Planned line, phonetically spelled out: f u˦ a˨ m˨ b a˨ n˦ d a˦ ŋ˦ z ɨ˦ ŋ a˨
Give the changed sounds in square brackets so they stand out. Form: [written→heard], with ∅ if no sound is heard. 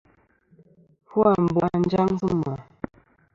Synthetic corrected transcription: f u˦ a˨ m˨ b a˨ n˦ [d→d͡ʒ] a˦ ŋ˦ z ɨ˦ [ŋ→m] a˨